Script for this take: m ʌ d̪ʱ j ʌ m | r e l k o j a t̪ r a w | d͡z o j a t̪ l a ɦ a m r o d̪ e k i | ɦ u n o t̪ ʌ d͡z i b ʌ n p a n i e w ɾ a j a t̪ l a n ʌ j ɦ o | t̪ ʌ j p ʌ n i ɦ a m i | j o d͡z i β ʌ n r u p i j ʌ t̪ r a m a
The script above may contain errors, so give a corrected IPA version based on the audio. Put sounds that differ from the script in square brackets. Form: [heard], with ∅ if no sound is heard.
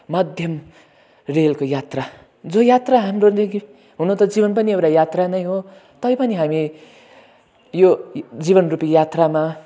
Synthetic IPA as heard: m ʌ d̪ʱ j ʌ m | r e l k o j a t̪ r a [∅] | d͡z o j a t̪ [r] a ɦ a m r o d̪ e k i | ɦ u n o t̪ ʌ d͡z i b ʌ n p [ʌ] n i e w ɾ a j a t̪ [r] a n ʌ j ɦ o | t̪ ʌ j p ʌ n i ɦ a m i | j o d͡z i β ʌ n r u p i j [a] t̪ r a m a